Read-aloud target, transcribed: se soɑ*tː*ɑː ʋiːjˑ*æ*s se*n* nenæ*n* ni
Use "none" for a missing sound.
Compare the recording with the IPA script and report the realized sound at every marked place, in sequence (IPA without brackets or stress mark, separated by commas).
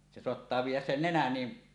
tː, æ, n, n